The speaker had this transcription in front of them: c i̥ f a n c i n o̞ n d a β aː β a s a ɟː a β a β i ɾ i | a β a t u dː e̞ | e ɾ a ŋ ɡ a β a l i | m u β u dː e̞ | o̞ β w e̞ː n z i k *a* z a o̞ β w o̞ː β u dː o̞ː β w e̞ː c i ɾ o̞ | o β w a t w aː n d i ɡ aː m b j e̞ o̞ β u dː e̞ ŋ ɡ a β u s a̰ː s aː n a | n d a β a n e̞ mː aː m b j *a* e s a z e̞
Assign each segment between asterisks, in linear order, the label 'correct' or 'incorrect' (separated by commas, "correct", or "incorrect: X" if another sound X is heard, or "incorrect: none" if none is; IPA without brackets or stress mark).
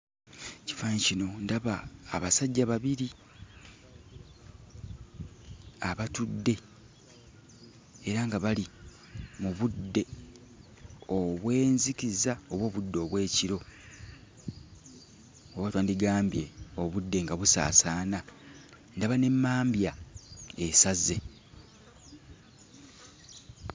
incorrect: i, correct